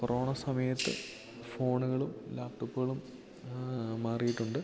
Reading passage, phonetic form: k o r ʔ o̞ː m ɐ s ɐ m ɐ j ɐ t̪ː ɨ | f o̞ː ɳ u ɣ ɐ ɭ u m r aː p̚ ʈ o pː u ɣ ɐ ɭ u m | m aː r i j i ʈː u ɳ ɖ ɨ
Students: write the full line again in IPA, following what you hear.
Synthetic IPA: k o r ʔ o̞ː ɳ ɐ s ɐ m ɐ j ɐ t̪ː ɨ | f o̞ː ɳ u ɣ ɐ ɭ u m l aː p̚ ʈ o pː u ɣ ɐ ɭ u m | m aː r i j i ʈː u ɳ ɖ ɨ